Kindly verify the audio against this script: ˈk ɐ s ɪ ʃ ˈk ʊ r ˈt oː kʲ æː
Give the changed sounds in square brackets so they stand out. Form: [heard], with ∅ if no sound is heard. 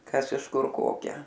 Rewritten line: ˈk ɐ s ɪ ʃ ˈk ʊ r [ˈk] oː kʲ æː